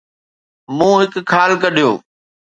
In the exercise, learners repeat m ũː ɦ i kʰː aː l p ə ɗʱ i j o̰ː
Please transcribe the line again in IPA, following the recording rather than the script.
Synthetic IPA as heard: m ũː ɦ ɪ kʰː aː l k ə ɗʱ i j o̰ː

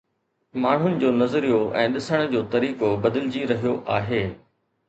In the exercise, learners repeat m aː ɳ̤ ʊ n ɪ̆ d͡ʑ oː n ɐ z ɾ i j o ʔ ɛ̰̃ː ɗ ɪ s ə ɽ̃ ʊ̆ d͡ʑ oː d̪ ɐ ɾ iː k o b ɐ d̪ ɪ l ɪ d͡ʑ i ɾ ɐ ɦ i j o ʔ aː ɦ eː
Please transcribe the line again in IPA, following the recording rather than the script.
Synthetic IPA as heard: m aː ɳ̤ ʊ n ɪ̆ d͡ʑ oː n ɐ z ɾ i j o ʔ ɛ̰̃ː ɗ ɪ s ə ɽ̃ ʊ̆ d͡ʑ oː t̪ ɐ ɾ iː k o b ɐ d̪ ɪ l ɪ d͡ʑ i ɾ ɐ ɦ i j o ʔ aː ɦ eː

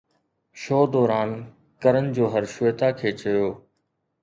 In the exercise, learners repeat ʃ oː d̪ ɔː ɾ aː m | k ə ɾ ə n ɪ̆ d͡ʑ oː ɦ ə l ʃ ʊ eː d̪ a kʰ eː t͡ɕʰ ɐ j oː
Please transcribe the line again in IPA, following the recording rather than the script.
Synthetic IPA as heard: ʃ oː d̪ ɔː ɾ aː n | k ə ɾ ə n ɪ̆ d͡ʑ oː ɦ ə ɾ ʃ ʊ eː t̪ a kʰ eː t͡ɕ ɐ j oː

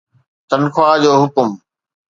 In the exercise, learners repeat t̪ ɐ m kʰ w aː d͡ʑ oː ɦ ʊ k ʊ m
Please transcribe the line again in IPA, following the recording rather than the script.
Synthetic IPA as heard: t̪ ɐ n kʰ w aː d͡ʑ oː ɦ ʊ k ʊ m

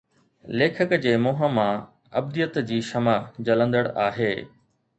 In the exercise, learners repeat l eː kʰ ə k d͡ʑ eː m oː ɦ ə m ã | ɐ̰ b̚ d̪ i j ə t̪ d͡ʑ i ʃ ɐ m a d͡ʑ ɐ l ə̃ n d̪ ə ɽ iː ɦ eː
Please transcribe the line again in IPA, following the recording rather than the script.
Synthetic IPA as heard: l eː kʰ ə k d͡ʑ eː m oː ɦ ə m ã | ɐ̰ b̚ d̪ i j ə t̪ d͡ʑ iː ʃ ɐ m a d͡ʑ ɐ l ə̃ n d̪ ə ɽ aː ɦ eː

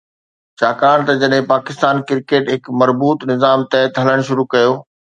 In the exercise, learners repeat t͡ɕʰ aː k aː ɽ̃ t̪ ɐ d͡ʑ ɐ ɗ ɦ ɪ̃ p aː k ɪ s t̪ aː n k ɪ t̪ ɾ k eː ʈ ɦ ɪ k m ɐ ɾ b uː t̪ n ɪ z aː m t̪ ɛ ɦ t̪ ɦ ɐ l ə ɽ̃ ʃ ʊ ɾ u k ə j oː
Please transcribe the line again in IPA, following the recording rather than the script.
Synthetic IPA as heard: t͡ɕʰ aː k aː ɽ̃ t̪ ɐ d͡ʑ ɐ ɗ ɦ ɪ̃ p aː k ɪ s t̪ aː n k ɪ ɾ k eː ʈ ɦ ɪ k m ɐ ɾ b uː t̪ n ɪ z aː m t̪ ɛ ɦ t̪ ɦ ɐ l ə ɽ̃ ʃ ʊ ɾ u k ɐ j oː

